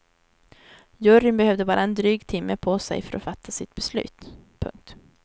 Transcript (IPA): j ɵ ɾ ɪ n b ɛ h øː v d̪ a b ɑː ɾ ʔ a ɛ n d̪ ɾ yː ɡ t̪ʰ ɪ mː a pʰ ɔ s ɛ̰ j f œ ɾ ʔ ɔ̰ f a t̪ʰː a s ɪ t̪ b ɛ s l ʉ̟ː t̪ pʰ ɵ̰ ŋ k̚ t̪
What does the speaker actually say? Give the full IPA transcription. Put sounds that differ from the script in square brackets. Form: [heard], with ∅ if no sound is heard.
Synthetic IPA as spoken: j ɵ ɾ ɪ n b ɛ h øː v d̪ [ə] b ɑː ɾ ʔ a ɛ n d̪ ɾ yː ɡ t̪ʰ ɪ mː [ə] pʰ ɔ s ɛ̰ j f œ ɾ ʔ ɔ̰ f a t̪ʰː a s ɪ t̪ b ɛ s l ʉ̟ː t̪ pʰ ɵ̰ ŋ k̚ t̪